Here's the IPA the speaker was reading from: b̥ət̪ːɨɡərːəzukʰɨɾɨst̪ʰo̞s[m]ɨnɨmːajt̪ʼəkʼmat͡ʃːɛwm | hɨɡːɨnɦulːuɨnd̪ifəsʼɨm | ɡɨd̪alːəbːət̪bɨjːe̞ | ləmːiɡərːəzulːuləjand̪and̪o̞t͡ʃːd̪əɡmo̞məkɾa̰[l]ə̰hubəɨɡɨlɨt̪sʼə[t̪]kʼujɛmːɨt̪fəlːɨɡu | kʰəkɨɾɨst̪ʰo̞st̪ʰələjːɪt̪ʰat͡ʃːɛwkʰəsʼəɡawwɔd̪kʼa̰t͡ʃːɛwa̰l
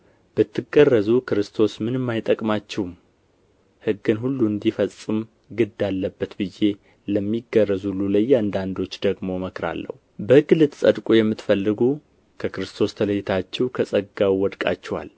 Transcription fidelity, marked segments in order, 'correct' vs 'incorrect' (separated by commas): correct, incorrect, incorrect